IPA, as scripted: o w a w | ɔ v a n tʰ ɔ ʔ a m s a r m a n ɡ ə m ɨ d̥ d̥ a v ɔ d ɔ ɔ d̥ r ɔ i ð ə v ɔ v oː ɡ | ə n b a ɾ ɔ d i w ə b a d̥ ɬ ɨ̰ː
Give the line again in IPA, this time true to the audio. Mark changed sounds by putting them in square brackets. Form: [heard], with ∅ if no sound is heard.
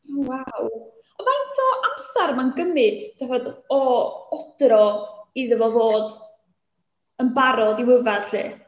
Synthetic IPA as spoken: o w a w | ɔ v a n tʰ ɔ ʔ a m s a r m a n ɡ ə m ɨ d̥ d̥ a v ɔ d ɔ ɔ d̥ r ɔ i ð ə v ɔ v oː [d] | ə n b a ɾ ɔ d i w ə [v] a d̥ ɬ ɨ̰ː

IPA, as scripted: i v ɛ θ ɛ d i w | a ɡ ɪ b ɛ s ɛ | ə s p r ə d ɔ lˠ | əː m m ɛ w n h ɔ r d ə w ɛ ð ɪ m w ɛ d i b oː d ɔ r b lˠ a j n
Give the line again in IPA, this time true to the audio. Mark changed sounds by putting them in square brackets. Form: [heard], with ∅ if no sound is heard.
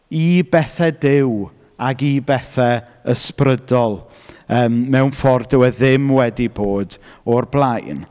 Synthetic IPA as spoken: i [b] ɛ θ ɛ d [ɪ] w | a ɡ [i] b ɛ [θ] ɛ | ə s p r ə d ɔ lˠ | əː m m ɛ w n [f] ɔ r d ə w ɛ ð ɪ m w ɛ d i b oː d ɔ r b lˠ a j n

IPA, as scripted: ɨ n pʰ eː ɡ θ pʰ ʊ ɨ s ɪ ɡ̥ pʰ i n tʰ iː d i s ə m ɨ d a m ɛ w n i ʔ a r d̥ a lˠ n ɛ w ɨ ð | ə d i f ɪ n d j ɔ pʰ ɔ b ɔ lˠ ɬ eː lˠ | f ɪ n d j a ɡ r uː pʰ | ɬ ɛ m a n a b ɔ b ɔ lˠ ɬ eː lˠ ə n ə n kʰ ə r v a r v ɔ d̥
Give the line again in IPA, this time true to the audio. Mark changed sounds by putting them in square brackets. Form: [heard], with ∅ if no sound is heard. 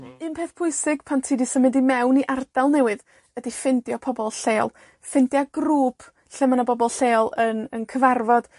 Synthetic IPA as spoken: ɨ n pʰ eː [∅] θ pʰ ʊ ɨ s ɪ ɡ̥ pʰ [a] n tʰ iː d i s ə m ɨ d [i] m ɛ w n i ʔ a r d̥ a lˠ n ɛ w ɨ ð | ə d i f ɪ n d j ɔ pʰ ɔ b ɔ lˠ ɬ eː lˠ | f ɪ n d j a ɡ r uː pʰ | ɬ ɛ m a n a b ɔ b ɔ lˠ ɬ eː lˠ ə n ə n kʰ ə [∅] v a r v ɔ d̥

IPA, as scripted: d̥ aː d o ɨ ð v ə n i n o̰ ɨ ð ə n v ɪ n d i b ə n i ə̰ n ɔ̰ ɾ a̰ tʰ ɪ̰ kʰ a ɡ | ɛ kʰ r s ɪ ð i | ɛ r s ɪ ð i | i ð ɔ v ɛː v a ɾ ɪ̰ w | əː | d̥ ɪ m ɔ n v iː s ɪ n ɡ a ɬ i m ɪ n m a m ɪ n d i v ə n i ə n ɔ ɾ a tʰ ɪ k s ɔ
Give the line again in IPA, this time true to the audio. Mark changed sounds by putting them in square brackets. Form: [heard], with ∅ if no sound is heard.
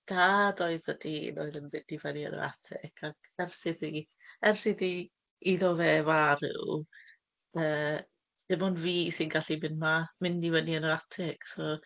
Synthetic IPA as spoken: d̥ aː d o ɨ ð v ə [d] i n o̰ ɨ ð ə n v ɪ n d i [v] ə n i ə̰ n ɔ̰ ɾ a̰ tʰ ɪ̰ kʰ a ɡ | ɛ [∅] r s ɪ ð i | ɛ r s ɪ ð i | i ð ɔ v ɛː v a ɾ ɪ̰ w | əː | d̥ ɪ m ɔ n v iː s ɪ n ɡ a ɬ i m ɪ n m a m ɪ n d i v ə n i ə n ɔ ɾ a tʰ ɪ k s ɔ

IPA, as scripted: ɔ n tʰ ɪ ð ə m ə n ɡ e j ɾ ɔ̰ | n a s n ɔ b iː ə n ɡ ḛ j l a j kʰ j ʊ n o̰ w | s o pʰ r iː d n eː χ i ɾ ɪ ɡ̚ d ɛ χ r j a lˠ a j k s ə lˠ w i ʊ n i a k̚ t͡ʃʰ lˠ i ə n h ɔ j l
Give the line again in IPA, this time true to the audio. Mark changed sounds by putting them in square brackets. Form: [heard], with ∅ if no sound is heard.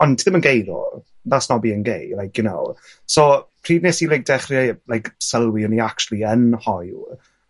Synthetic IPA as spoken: ɔ n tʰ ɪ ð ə m ə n ɡ e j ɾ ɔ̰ | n a s n ɔ b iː ə n ɡ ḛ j l a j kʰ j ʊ n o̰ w | s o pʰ r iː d n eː [s] i [l] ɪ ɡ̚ d ɛ χ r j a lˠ a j k s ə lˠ w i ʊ n i a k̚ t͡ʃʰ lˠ i ə n h ɔ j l

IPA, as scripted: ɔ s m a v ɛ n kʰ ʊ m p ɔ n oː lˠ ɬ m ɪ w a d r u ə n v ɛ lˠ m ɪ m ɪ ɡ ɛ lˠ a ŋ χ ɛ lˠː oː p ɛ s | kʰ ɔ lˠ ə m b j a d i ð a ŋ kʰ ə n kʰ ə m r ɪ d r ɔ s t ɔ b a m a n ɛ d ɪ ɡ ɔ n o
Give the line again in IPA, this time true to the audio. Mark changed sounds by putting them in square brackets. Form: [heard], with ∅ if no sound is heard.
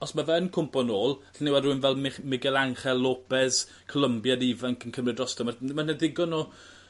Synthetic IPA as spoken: ɔ s m a v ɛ n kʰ ʊ m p ɔ n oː lˠ ɬ [n] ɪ w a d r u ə n v ɛ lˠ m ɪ m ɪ ɡ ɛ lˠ a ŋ χ ɛ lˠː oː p ɛ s | kʰ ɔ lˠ ə m b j a d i [v] a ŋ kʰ ə n kʰ ə m r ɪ d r ɔ s t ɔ [m] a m a n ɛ d ɪ ɡ ɔ n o

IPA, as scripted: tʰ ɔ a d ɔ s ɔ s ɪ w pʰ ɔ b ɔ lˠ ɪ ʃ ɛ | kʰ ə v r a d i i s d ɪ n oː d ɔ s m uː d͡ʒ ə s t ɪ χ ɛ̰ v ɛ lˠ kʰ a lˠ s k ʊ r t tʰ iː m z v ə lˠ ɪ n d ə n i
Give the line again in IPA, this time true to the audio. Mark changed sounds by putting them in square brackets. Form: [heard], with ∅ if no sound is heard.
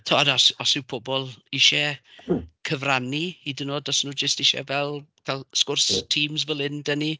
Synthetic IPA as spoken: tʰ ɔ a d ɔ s ɔ s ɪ w pʰ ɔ b ɔ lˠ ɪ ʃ ɛ | kʰ ə v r a [n] i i [∅] d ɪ n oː d ɔ s [n] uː d͡ʒ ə s t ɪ [ʃ] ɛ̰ v ɛ lˠ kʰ a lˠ s k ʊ r [s] tʰ iː m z v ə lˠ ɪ n d ə n i

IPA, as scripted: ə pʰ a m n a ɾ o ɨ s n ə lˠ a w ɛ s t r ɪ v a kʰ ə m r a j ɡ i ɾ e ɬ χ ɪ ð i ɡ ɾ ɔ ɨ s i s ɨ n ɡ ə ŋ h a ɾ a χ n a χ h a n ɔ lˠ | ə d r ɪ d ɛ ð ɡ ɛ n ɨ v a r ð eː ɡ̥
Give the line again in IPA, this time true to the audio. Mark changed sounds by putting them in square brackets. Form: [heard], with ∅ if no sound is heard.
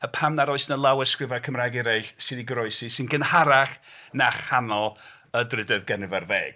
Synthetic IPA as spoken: ə pʰ a m n a ɾ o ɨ s n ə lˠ a w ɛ s [k] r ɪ v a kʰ ə m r a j ɡ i ɾ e ɬ [s] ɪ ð i ɡ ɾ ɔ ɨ s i s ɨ n ɡ ə [n] h a ɾ a χ n a χ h a n ɔ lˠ | ə d r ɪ d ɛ ð ɡ ɛ n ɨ v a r [v] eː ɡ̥

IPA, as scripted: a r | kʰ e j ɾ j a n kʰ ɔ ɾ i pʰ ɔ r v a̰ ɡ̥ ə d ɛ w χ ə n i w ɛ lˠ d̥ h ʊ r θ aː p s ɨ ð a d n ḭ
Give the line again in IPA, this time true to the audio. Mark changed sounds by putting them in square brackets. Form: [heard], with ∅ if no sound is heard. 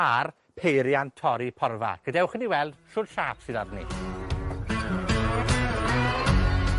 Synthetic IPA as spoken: a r | [pʰ] e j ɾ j a n [tʰ] ɔ ɾ i pʰ ɔ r v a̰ ɡ̥ ə d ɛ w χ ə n i w ɛ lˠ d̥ [ʃ] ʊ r [ʃ] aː p s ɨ ð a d n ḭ

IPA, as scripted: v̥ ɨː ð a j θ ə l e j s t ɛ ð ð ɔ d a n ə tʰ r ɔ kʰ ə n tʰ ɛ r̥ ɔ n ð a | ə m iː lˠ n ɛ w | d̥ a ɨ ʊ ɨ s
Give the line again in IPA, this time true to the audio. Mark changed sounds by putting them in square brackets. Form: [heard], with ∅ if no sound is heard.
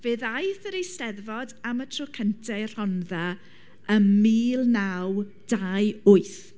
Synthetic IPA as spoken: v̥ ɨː ð a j θ ə [ɾ] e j s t ɛ ð [v] ɔ d a [m] ə tʰ r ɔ kʰ ə n tʰ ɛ r̥ ɔ n ð a | ə m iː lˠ n [a] w | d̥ a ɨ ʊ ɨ [θ]

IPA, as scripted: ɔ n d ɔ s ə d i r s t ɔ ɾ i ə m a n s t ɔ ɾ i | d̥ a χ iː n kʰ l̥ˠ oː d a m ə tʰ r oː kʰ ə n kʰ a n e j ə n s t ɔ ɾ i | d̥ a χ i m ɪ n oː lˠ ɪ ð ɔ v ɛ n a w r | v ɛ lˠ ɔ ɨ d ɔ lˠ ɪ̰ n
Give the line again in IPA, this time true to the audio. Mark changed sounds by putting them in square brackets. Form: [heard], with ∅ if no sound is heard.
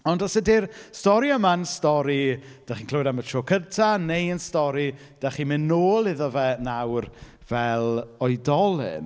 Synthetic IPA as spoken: ɔ n d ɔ s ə d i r s t ɔ ɾ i ə m a n s t ɔ ɾ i | d̥ a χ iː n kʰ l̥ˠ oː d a m ə tʰ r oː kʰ ə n [tʰ] a n e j ə n s t ɔ ɾ i | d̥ a χ i m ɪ n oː lˠ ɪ ð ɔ v ɛ n a w r | v ɛ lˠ ɔ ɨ d ɔ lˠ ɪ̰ n

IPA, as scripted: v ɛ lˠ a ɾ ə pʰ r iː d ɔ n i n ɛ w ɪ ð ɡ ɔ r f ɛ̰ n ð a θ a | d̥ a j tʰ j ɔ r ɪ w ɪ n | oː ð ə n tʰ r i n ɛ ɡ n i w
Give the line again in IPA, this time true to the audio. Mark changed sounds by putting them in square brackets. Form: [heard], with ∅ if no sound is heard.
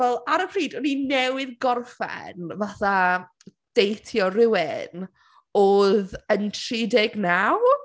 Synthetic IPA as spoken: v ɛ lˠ a ɾ ə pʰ r iː d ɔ n i n ɛ w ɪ ð ɡ ɔ r f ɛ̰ n [v] a θ a | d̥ [e] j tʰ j ɔ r ɪ w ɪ n | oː ð ə n tʰ r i [d] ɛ ɡ n [a] w

